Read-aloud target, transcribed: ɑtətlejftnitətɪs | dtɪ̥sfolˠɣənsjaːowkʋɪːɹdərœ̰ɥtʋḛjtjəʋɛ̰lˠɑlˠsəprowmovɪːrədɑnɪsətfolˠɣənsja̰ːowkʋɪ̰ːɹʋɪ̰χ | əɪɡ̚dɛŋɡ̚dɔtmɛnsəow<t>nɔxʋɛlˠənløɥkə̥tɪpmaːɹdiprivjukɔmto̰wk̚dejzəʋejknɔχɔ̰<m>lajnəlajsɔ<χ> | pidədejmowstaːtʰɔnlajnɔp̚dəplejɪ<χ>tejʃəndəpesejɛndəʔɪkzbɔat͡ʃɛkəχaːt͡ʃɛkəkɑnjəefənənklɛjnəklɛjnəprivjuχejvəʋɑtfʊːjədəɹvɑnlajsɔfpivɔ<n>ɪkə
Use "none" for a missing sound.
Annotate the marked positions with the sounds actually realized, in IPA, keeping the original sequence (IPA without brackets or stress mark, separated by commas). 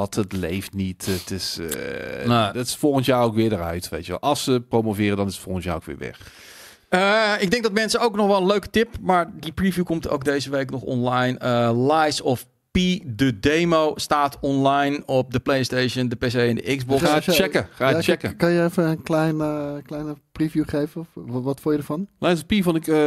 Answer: k, n, f, s, n